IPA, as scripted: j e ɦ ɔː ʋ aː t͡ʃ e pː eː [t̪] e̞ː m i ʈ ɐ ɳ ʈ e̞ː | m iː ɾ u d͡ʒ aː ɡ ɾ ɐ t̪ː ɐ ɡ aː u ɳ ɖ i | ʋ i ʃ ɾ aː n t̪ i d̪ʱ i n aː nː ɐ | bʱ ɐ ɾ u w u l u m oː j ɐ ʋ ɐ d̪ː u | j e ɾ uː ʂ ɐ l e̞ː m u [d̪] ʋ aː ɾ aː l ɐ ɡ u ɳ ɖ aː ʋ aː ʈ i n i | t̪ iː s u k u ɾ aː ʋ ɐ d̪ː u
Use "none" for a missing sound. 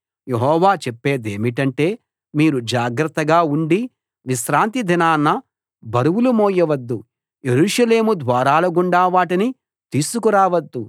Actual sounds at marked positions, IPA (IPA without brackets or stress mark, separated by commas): d̪, d̪